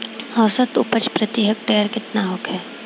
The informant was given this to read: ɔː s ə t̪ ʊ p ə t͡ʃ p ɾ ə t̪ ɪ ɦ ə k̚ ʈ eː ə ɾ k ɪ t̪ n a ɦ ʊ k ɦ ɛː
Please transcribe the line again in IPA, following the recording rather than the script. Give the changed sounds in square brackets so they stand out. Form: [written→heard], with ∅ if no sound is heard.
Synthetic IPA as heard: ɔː s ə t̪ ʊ p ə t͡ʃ p ɾ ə t̪ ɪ ɦ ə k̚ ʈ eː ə ɾ k ɪ t̪ n a ɦ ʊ k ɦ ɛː